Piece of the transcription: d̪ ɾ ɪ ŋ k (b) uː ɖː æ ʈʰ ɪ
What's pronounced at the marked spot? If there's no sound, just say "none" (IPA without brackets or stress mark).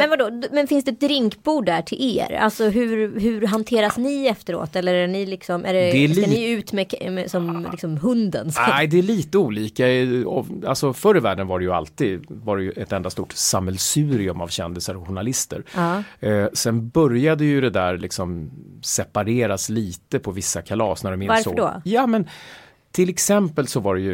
b